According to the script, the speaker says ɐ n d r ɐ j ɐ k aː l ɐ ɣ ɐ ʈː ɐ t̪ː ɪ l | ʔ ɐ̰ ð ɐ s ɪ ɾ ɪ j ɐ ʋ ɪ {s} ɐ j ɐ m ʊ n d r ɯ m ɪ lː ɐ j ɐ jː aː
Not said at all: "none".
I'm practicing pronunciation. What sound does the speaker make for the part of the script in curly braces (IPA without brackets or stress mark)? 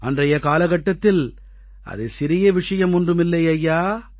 ʂ